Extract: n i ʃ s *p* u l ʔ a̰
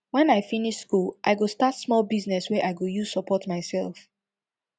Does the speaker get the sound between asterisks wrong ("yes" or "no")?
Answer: yes